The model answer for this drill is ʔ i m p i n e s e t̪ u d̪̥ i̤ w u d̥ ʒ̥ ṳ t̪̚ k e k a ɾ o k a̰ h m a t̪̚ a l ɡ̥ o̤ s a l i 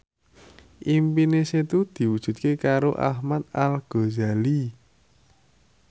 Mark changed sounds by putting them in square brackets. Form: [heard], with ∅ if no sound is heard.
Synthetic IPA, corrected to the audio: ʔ i m p i n e s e t̪ u d̪̥ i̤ w u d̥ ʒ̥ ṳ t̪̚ k e k a ɾ o [ʔ] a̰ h m a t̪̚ a l ɡ̥ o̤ [z] a l i